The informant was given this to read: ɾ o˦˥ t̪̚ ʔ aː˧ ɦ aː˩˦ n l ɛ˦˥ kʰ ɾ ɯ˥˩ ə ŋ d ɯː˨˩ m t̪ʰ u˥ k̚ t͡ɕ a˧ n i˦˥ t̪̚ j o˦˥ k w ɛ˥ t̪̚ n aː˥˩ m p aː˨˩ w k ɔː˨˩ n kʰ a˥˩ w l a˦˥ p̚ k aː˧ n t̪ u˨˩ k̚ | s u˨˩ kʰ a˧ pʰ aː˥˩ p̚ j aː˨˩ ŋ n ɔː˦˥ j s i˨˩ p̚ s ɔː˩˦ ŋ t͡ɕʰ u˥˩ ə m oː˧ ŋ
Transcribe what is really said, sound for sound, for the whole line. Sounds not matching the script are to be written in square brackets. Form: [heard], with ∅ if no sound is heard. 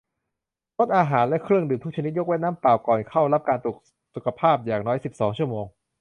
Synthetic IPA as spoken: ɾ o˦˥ t̪̚ ʔ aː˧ ɦ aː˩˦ n l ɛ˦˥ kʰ ɾ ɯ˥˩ ə ŋ d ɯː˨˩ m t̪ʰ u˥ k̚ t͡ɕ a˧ n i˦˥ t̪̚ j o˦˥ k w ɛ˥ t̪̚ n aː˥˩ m p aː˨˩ w k ɔː˨˩ n kʰ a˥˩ w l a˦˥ p̚ k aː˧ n t̪ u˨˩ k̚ | s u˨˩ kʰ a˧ pʰ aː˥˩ p̚ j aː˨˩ ŋ n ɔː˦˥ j s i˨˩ p̚ s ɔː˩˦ ŋ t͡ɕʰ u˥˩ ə m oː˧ ŋ